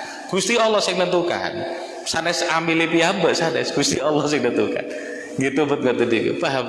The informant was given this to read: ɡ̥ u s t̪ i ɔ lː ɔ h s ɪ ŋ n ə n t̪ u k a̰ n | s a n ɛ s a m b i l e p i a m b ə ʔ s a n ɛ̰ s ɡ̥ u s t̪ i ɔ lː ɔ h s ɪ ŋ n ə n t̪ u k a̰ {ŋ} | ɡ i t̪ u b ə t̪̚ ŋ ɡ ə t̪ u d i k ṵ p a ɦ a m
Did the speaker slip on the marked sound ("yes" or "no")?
yes